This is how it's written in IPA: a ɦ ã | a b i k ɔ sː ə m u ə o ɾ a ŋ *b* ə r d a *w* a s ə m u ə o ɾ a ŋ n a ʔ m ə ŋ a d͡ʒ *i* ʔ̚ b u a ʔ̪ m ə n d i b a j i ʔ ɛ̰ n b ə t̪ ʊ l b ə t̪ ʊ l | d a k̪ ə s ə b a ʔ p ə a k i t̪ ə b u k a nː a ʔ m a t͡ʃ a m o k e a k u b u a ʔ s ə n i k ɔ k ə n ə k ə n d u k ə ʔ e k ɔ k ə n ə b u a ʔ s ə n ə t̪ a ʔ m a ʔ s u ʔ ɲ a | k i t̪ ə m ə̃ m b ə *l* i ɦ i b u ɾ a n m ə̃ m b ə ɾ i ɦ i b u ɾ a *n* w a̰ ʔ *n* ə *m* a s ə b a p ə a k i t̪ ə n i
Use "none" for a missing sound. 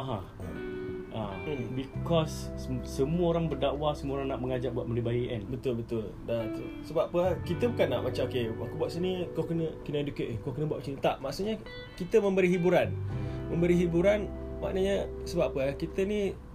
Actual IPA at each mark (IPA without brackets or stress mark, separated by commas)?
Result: b, w, a, ɾ, n, n, ɲ